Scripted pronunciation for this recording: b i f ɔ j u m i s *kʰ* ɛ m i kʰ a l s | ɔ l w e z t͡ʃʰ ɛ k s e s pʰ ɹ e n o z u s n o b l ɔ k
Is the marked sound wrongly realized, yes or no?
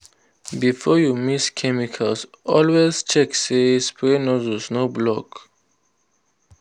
no